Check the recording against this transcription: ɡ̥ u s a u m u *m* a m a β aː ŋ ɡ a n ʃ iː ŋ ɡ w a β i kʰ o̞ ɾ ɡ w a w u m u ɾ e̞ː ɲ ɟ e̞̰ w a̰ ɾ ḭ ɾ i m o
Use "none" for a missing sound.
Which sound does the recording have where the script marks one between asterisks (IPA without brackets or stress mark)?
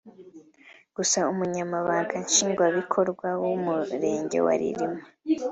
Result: ɲ